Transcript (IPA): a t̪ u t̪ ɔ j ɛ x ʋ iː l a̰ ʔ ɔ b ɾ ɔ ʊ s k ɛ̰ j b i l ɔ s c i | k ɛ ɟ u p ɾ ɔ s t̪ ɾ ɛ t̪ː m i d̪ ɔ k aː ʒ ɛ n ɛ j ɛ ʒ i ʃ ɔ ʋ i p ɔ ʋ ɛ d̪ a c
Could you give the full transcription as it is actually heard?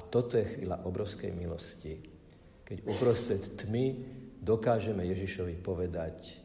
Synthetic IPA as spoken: a t̪ ɔ t̪ ɔ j ɛ x ʋ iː l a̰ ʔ ɔ b ɾ ɔ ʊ s k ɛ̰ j m i l ɔ s c i | k ɛ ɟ u p ɾ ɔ s t̪ ɾ ɛ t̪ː m i d̪ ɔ k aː ʒ ɛ m ɛ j ɛ ʒ i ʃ ɔ ʋ i p ɔ ʋ ɛ d̪ a c